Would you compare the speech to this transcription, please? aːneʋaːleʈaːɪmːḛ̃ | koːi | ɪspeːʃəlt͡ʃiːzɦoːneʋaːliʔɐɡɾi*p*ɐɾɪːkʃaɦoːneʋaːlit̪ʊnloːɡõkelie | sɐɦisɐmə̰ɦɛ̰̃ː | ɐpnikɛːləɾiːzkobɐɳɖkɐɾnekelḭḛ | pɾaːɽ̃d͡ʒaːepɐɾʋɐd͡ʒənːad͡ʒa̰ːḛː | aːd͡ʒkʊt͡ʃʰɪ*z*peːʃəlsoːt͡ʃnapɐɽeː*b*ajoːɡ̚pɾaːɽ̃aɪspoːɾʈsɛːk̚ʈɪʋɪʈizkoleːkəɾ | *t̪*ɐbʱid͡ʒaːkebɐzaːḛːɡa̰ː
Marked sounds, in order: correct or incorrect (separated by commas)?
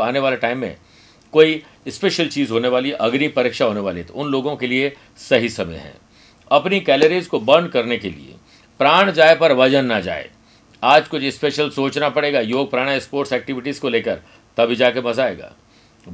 correct, incorrect, incorrect, correct